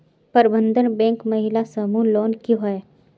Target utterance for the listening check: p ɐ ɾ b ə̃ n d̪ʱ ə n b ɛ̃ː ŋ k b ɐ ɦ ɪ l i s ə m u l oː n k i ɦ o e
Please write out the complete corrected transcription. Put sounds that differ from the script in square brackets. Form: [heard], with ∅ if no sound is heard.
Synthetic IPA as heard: p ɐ ɾ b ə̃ n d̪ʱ ə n b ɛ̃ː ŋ k [m] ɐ ɦ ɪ l [a] s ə m u l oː n k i ɦ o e